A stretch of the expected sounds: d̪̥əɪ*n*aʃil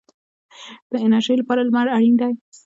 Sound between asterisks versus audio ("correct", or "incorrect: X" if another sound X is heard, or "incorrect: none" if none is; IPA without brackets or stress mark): correct